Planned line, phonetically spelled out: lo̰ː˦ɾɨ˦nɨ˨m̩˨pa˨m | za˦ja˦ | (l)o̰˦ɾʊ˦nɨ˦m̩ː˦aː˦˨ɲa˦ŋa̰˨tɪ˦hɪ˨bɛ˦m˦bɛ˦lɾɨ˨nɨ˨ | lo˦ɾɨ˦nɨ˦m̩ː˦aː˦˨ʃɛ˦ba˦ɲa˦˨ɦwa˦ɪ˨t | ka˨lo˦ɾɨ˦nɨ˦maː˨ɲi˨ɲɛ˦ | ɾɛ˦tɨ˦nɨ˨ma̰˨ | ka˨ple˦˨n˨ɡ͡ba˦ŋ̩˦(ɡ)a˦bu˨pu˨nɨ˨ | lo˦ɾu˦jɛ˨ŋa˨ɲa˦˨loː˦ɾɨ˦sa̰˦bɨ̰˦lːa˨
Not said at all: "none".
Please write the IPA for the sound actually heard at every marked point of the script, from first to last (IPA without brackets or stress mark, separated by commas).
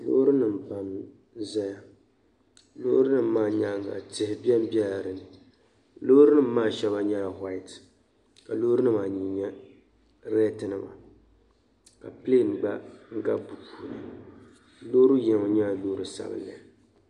l, ɡ